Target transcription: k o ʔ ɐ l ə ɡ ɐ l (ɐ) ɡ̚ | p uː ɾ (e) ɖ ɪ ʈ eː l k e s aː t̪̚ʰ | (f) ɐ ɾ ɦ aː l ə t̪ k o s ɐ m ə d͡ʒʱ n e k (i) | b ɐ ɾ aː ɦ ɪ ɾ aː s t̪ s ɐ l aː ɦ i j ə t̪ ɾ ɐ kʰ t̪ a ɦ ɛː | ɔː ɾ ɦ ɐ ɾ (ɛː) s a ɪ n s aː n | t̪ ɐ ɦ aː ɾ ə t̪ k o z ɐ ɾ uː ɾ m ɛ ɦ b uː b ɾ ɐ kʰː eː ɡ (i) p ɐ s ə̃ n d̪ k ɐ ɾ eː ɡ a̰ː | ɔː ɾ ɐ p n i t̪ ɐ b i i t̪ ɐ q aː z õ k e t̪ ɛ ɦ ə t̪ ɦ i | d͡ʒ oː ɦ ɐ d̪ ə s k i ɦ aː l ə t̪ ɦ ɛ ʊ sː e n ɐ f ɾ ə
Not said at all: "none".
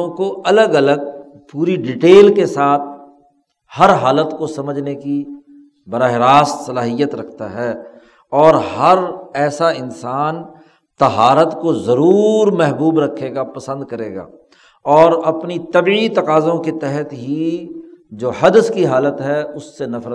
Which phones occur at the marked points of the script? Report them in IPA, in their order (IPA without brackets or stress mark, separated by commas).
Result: ə, i, h, i, ɛː, a